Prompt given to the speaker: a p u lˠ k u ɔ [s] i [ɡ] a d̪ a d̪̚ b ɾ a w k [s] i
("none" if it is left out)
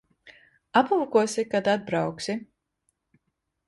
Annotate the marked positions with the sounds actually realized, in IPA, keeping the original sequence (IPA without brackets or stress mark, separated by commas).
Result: s, k, s